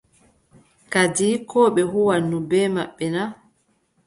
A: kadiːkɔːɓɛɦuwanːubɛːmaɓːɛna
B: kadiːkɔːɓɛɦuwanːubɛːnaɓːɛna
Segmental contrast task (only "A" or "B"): A